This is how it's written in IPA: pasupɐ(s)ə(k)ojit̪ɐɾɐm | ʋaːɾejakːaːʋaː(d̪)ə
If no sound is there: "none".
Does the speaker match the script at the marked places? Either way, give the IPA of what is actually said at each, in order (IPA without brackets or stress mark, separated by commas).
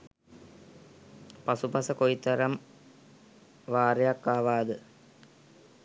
s, k, d̪